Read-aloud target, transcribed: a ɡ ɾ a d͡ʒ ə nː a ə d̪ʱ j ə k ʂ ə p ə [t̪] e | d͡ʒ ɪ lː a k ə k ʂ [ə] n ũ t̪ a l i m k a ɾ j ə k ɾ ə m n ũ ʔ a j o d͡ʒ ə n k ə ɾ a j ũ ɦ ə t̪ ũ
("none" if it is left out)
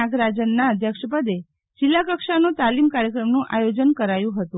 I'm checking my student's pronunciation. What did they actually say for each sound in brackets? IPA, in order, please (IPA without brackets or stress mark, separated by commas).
d̪, a